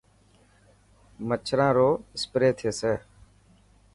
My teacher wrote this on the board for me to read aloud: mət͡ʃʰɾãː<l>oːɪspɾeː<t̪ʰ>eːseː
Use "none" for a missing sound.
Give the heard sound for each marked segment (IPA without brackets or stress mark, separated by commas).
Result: ɾ, t̪ʰ